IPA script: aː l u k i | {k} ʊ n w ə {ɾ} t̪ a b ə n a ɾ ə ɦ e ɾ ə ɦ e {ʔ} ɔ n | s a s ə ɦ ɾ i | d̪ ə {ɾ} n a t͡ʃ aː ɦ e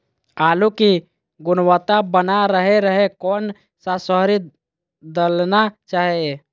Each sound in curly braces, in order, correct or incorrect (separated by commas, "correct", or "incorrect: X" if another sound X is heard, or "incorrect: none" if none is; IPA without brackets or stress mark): incorrect: ɡ, incorrect: none, incorrect: k, incorrect: l